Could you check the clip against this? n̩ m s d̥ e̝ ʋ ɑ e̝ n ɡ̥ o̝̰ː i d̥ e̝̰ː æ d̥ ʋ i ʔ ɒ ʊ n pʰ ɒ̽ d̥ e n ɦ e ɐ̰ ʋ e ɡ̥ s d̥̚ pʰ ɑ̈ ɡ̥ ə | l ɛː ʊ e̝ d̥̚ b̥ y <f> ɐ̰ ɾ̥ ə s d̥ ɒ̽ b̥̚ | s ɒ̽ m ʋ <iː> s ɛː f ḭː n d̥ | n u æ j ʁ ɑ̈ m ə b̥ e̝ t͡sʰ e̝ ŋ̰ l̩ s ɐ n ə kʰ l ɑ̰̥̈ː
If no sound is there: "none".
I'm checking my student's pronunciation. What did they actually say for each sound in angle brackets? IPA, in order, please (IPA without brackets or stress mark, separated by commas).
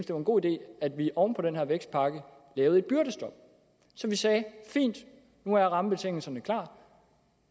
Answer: none, i